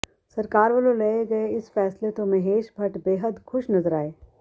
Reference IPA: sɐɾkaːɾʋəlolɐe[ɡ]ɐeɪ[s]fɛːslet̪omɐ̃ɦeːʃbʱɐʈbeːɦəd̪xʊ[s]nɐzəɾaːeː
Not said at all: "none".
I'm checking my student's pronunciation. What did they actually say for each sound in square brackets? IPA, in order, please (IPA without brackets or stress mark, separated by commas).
ɡ, s, ʃ